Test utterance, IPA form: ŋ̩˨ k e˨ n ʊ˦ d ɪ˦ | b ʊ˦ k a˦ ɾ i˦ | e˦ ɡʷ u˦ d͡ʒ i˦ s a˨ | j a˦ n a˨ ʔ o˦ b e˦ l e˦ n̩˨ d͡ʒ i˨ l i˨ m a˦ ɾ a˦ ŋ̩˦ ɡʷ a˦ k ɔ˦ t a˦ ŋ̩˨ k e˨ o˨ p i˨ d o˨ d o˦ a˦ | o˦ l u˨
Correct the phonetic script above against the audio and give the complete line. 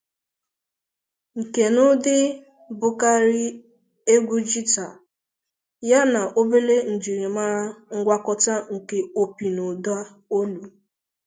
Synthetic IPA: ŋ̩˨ k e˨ n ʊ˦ d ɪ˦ | b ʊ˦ k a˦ ɾ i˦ | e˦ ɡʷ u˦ d͡ʒ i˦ t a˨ | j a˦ n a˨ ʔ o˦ b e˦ l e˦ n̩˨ d͡ʒ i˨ ɾ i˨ m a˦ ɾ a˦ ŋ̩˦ ɡʷ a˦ k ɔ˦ t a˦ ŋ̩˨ k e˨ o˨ p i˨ n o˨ d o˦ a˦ | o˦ l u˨